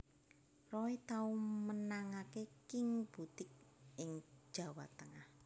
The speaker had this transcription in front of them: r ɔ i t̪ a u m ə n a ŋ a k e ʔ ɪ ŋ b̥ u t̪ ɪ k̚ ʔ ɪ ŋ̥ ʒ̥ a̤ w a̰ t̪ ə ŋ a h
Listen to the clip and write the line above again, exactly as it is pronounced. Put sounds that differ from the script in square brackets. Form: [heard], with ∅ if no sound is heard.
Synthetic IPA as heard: r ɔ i t̪ a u m ə n a ŋ a k e [k] ɪ ŋ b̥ u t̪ ɪ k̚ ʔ ɪ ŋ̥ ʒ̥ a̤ w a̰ t̪ ə ŋ a h

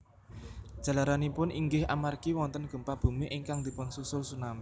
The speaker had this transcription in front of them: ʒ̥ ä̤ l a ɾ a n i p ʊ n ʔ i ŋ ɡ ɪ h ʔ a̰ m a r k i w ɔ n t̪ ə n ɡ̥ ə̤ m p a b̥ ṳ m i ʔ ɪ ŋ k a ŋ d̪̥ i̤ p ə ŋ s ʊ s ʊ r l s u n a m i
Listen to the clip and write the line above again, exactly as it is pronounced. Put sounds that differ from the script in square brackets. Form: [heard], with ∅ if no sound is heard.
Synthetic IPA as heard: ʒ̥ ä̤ l a ɾ a n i p ʊ n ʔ i ŋ ɡ ɪ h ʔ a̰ m a r k i w ɔ n t̪ ə n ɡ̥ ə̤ m p a b̥ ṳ m i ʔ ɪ ŋ k a ŋ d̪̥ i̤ p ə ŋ s [u] s ʊ [∅] l s u n a m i

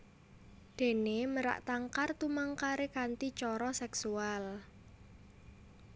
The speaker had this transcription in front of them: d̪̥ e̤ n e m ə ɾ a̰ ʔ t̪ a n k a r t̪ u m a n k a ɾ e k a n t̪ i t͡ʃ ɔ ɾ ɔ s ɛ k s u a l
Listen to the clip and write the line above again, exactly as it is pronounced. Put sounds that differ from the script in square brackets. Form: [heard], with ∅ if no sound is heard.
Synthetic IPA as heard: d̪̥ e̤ n e m ə ɾ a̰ ʔ t̪ a [ŋ] k a r t̪ u m a [ŋ] k a ɾ e k a n t̪ i t͡ʃ ɔ ɾ ɔ s ɛ k s u a l

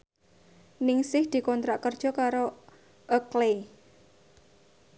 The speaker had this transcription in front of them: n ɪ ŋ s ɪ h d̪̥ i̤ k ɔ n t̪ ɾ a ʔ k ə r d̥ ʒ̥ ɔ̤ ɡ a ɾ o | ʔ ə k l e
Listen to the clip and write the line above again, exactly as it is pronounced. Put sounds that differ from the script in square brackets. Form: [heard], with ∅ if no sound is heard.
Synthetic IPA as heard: n ɪ ŋ s ɪ h d̪̥ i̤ k ɔ n t̪ ɾ a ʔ k ə r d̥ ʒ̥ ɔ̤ [k] a ɾ o | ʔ ə k l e

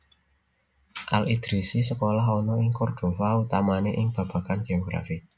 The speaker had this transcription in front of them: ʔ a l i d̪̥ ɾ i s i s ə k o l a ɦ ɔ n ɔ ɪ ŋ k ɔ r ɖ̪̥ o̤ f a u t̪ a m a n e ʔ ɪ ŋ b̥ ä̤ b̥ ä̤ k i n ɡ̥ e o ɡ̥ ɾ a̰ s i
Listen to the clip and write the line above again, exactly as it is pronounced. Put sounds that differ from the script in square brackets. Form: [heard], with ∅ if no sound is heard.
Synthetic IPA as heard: ʔ a l i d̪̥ ɾ i s i s ə k o l a ɦ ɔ n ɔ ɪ ŋ k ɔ r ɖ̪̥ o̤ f a u t̪ a m a n e ʔ ɪ ŋ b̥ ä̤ b̥ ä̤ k [a] n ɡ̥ e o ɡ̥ ɾ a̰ [f] i

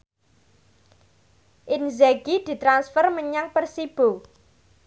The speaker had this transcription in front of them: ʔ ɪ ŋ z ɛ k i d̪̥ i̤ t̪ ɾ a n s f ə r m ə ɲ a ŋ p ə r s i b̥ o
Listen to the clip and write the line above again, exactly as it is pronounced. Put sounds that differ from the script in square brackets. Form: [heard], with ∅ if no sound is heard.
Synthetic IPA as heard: ʔ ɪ [n] z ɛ [ɡ] i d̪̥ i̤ t̪ ɾ a n s f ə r m ə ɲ a ŋ p ə r s i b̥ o

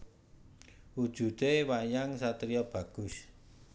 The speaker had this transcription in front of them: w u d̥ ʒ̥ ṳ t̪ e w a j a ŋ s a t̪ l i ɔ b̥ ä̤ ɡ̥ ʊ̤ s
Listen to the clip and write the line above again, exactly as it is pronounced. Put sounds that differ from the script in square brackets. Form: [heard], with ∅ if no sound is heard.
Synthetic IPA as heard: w u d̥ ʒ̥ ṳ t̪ e w a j a ŋ s a t̪ [ɾ] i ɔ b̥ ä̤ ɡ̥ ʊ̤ s

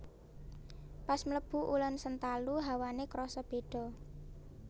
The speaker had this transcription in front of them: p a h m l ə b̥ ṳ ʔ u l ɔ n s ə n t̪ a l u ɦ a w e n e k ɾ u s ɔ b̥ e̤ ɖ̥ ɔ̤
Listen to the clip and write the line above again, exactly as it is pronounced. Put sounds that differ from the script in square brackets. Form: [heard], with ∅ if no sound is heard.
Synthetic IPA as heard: p a [s] m l ə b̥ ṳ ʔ u l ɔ n s ə n t̪ a l u ɦ a w [a] n e k ɾ [ɔ] s ɔ b̥ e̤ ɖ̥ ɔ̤

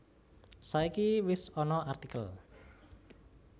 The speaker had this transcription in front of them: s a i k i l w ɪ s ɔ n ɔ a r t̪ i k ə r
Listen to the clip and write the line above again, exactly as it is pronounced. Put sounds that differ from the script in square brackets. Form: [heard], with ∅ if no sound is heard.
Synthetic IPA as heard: s a i k i [∅] w ɪ s ɔ n ɔ a r t̪ i k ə [l]

